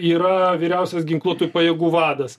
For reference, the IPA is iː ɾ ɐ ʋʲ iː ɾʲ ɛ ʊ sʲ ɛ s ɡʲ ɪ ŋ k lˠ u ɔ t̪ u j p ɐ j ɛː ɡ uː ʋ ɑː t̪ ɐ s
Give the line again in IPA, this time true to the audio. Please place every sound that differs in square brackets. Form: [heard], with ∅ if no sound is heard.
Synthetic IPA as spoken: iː ɾ ɐ ʋʲ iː ɾʲ ɛ ʊ sʲ ɛ s ɡʲ ɪ ŋ k lˠ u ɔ t̪ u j p ɐ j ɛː ɡ uː ʋ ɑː [d̪] ɐ s